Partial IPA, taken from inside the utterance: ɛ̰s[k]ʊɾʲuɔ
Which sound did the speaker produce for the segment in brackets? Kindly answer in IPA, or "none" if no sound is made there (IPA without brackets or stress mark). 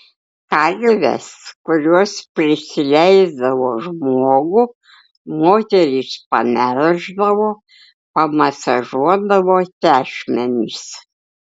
k